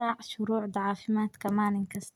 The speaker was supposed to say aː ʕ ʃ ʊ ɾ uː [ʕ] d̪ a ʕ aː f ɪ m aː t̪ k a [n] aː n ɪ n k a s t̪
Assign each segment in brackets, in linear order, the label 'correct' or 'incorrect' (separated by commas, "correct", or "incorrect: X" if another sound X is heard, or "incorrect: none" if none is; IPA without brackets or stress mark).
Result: correct, incorrect: m